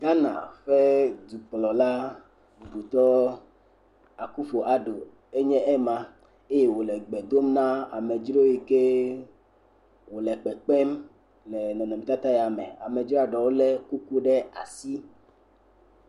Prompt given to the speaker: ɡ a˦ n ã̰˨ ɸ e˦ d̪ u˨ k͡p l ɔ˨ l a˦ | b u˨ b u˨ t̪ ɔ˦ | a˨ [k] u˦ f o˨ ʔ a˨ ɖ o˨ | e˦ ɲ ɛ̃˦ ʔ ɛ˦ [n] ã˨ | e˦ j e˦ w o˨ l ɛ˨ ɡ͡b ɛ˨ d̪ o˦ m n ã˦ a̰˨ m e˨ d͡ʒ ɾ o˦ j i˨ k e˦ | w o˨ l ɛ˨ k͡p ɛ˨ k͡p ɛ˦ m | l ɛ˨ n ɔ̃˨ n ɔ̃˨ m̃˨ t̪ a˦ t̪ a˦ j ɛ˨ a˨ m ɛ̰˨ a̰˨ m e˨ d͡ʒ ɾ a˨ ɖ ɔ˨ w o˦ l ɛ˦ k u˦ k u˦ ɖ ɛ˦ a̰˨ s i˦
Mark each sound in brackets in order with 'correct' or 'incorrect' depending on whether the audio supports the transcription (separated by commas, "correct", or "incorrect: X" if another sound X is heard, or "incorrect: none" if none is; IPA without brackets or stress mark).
correct, incorrect: m